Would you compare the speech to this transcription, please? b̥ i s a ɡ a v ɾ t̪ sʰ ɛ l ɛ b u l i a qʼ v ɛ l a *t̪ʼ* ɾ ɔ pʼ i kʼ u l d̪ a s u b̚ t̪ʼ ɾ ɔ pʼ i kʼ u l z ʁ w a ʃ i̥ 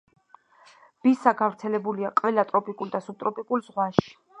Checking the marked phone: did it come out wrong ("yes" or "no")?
no